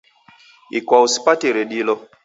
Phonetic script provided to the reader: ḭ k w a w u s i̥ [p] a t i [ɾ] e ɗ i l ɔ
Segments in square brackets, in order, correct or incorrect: correct, correct

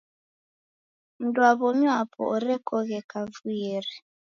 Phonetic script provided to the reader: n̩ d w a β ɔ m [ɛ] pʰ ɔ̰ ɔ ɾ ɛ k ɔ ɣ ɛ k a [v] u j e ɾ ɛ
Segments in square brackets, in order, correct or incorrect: incorrect, correct

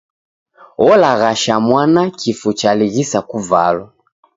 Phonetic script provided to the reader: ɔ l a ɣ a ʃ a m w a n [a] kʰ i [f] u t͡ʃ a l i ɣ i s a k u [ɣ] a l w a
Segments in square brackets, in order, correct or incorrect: correct, correct, incorrect

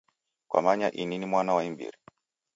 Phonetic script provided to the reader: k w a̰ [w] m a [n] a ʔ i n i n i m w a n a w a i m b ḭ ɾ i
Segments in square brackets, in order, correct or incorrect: incorrect, incorrect

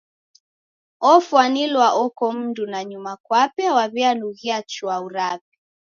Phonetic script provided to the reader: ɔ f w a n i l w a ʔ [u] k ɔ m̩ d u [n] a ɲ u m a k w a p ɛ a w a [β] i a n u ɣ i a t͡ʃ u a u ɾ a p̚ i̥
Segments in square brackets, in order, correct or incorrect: incorrect, correct, correct

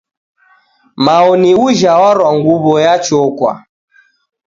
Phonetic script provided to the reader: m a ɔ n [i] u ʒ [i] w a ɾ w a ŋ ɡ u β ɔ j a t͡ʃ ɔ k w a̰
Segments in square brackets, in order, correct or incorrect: correct, incorrect

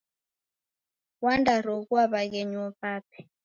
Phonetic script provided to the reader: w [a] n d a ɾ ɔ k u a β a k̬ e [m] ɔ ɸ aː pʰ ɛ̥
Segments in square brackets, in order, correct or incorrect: correct, incorrect

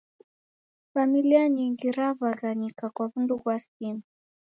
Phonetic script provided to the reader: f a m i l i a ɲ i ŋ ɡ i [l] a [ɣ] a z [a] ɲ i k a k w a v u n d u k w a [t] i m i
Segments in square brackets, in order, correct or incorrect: incorrect, incorrect, correct, incorrect

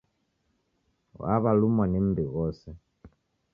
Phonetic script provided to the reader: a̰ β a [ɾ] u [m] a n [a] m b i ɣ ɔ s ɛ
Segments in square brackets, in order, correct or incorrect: incorrect, correct, incorrect

